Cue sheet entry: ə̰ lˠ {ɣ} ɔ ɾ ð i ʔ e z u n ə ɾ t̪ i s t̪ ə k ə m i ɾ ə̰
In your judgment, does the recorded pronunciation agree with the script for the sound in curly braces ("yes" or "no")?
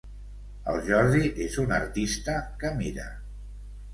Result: no